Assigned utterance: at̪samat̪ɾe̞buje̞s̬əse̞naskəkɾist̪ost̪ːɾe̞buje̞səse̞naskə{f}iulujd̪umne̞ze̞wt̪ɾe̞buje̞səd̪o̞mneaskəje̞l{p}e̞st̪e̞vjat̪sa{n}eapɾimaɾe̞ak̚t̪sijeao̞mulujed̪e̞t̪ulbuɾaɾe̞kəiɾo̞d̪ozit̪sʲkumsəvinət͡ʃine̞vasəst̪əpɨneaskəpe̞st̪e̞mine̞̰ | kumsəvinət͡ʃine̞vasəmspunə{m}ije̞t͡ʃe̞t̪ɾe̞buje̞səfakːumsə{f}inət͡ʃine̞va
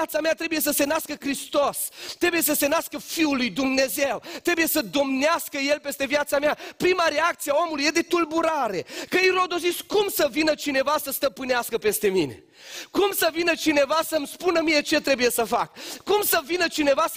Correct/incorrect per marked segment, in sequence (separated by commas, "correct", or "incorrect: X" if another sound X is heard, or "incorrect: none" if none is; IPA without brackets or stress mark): correct, correct, incorrect: m, correct, incorrect: v